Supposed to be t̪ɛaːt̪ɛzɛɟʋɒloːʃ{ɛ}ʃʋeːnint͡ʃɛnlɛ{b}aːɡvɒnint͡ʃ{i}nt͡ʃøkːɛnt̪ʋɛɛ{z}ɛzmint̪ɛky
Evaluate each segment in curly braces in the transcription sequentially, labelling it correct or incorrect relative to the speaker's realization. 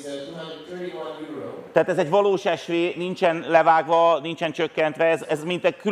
correct, incorrect: v, incorrect: ɛ, correct

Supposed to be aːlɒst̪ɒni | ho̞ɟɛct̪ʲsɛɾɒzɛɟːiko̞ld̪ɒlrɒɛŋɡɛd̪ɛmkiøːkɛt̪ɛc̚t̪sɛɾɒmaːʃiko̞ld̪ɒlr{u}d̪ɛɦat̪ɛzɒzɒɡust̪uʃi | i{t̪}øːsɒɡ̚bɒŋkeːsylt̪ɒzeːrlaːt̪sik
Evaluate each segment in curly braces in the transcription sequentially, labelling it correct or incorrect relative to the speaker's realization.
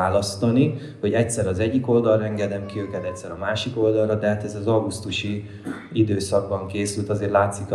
incorrect: ɒ, incorrect: d̪

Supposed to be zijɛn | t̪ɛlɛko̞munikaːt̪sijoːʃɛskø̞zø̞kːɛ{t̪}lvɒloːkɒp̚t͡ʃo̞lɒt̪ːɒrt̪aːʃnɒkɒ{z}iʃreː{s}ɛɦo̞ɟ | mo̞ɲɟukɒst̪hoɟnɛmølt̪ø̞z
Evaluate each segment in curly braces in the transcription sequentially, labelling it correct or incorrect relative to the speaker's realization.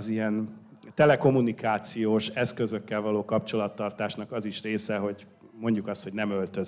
incorrect: none, correct, correct

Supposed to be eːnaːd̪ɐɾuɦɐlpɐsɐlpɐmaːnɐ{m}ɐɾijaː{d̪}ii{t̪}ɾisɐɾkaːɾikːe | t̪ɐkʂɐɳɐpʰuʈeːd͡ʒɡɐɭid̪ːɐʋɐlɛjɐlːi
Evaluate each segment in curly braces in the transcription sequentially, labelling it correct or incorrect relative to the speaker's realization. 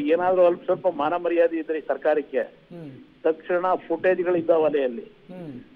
correct, correct, incorrect: d̪

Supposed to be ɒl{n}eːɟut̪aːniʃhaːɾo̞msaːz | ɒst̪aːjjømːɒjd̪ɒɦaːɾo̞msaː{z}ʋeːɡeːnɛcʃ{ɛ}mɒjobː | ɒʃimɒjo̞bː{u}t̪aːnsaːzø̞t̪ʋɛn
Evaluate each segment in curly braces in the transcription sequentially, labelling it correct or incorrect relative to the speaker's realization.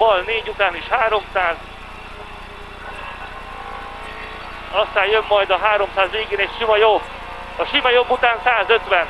correct, correct, incorrect: i, correct

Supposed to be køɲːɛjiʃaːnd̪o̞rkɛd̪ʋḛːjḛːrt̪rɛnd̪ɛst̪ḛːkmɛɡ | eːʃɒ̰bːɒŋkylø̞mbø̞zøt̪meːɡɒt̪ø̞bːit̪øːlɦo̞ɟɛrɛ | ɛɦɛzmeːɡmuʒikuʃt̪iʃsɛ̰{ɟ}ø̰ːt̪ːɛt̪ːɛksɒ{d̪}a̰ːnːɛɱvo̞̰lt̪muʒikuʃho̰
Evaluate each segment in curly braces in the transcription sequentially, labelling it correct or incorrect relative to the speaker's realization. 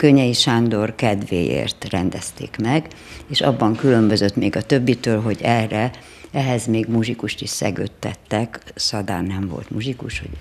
incorrect: ɡ, correct

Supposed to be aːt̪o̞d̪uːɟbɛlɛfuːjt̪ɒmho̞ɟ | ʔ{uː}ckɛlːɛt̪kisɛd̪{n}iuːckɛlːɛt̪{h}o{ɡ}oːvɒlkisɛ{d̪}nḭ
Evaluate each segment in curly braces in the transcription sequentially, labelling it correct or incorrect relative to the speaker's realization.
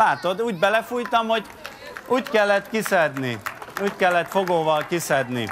correct, correct, incorrect: f, correct, correct

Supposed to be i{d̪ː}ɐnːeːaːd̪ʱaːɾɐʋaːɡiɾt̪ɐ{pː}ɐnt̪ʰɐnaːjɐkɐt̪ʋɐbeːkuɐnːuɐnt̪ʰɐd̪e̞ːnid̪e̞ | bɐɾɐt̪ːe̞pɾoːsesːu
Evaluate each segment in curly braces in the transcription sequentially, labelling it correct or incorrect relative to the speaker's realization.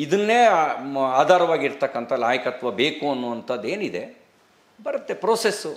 incorrect: d̪, incorrect: kː

